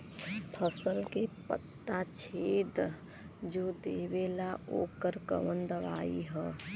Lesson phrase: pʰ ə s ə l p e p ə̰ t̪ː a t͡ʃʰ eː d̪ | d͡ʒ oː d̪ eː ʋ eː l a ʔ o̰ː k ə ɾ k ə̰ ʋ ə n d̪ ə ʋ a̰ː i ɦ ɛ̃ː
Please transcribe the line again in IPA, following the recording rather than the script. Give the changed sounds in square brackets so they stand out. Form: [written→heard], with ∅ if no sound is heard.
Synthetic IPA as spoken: pʰ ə s ə l [p→k] e p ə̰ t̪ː a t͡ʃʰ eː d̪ | d͡ʒ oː d̪ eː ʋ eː l a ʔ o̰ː k ə ɾ k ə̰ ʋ ə n d̪ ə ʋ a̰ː i ɦ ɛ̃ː